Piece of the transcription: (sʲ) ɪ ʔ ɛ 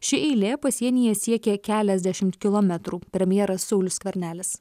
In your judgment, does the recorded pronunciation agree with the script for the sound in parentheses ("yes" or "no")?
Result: no